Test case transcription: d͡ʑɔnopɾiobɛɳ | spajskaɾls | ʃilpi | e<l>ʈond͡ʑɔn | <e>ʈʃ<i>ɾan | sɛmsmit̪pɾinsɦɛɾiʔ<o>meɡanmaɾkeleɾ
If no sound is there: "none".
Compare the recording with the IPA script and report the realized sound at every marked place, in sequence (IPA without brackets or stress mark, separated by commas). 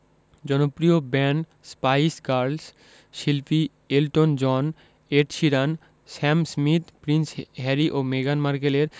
l, e, i, o